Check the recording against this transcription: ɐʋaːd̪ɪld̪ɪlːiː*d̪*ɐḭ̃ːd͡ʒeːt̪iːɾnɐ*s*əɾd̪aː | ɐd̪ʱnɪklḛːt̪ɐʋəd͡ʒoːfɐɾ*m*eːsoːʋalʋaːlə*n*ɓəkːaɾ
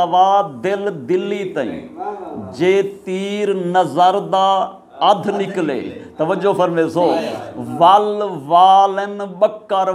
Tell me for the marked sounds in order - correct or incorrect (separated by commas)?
incorrect, incorrect, correct, correct